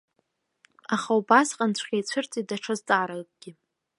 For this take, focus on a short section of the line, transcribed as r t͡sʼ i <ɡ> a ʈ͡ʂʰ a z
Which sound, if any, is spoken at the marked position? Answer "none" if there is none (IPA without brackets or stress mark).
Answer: d